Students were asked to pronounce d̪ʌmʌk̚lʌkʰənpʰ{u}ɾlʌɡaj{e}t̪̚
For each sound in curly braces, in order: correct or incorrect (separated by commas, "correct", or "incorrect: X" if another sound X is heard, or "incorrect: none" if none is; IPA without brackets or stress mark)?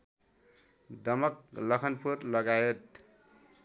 correct, correct